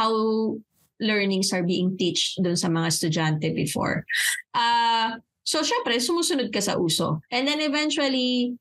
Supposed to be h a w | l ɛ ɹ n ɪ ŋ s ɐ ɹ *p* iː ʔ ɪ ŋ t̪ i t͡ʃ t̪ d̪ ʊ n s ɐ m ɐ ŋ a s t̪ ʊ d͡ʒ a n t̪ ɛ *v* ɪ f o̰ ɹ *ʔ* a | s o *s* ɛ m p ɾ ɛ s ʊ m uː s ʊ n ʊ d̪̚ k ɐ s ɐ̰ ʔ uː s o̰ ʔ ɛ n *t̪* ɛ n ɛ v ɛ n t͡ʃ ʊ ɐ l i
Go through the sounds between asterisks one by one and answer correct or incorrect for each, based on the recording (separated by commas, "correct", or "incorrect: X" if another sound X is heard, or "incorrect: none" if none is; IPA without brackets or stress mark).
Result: incorrect: b, incorrect: b, correct, incorrect: ʃ, incorrect: d̪